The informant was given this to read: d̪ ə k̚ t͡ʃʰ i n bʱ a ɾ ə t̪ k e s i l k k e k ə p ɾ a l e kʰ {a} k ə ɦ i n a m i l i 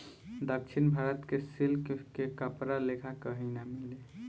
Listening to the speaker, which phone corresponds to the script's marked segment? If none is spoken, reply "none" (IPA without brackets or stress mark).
a